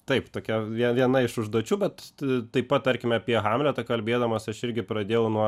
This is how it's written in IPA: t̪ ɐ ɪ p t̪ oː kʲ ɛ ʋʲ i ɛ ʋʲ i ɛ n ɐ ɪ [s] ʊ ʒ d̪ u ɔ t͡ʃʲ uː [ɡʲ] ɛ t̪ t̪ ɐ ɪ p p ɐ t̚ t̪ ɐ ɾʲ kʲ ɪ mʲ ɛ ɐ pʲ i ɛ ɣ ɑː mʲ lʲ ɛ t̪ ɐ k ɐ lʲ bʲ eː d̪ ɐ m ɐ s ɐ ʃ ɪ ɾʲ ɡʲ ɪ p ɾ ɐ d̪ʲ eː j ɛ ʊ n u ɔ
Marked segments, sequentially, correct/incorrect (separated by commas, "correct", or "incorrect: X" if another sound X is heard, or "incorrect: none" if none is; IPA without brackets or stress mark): incorrect: ʃ, incorrect: bʲ